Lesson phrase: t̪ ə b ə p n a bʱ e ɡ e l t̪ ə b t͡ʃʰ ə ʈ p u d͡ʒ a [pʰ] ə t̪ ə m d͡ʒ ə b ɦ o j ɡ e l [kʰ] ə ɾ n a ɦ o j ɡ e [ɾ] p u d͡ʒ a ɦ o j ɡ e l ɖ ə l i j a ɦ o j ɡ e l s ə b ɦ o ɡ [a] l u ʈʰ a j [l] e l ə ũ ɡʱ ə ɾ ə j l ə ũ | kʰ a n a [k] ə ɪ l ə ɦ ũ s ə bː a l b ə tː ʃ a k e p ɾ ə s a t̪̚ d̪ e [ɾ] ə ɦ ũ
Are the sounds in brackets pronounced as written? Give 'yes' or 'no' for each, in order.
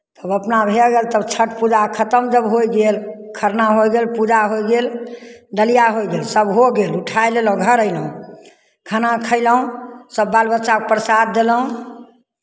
no, yes, no, no, yes, no, no

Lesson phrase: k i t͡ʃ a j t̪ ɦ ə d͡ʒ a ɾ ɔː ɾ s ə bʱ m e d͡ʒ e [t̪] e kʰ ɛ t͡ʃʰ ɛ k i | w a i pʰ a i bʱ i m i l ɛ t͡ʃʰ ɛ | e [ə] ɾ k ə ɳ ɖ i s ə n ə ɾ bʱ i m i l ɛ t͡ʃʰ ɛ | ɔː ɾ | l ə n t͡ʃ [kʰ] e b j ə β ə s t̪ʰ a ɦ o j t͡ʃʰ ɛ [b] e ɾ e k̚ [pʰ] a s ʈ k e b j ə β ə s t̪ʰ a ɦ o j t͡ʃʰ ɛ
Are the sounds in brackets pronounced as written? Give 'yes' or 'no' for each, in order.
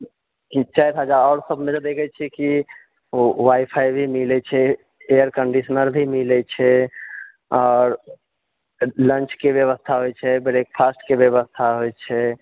no, yes, no, yes, yes

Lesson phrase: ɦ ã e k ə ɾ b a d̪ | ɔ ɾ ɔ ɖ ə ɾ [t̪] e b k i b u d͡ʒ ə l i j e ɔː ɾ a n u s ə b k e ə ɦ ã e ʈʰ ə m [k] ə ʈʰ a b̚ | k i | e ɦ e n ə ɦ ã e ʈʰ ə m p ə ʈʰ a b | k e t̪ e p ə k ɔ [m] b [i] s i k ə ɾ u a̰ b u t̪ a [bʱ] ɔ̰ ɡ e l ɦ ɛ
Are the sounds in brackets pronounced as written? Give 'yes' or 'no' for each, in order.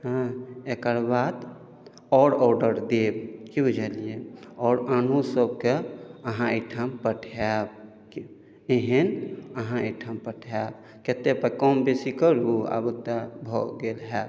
no, no, yes, no, yes

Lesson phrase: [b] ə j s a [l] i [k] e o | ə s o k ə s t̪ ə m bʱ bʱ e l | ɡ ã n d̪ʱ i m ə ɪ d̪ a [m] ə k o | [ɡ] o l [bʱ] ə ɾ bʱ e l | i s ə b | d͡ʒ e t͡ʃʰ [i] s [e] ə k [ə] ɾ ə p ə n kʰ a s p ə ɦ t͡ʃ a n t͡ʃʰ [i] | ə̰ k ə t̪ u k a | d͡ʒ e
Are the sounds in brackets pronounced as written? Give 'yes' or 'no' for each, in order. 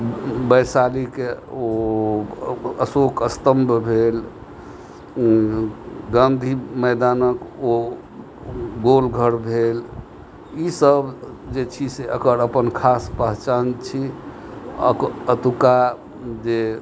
yes, yes, yes, no, yes, no, yes, yes, yes, yes

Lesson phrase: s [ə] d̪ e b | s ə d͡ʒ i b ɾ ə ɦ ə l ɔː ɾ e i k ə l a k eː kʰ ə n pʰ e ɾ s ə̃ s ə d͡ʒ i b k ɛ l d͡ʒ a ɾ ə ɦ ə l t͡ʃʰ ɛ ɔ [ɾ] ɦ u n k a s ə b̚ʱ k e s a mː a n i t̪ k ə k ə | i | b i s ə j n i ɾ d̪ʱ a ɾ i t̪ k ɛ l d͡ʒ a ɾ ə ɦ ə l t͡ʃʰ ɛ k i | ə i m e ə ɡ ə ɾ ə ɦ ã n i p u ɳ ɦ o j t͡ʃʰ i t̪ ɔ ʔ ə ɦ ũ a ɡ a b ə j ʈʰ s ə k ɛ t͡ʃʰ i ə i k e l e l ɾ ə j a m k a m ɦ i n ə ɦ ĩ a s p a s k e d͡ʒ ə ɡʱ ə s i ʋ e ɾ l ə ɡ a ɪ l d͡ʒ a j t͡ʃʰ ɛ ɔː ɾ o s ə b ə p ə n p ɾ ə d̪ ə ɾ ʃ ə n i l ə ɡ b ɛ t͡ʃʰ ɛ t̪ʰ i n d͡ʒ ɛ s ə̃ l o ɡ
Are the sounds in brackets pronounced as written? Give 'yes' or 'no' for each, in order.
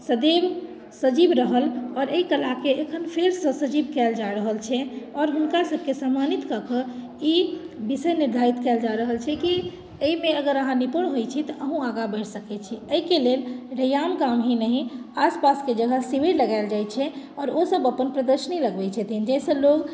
yes, yes

